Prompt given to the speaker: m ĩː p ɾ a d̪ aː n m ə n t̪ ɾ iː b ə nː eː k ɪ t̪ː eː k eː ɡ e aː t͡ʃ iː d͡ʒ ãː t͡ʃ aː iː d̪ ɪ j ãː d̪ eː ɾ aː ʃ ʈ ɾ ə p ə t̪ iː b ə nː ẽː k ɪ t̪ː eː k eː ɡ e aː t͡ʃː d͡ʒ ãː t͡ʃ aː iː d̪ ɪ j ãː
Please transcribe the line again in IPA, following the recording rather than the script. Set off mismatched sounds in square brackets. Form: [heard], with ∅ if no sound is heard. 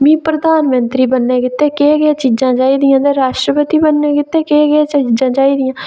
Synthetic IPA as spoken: m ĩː p ɾ [ə] d̪ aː n m ə n t̪ ɾ iː b ə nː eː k ɪ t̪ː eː k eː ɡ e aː t͡ʃ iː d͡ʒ ãː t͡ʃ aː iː d̪ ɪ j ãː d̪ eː ɾ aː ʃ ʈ ɾ ə p ə t̪ iː b ə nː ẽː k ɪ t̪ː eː k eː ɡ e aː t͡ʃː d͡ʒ ãː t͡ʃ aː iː d̪ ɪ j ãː